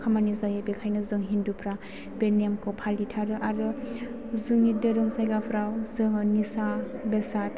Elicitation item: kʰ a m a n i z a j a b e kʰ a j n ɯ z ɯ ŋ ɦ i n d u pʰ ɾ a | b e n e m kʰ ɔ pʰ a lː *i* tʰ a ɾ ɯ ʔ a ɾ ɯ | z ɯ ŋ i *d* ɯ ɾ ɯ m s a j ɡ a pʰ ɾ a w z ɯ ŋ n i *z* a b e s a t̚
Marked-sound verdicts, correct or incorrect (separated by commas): correct, correct, incorrect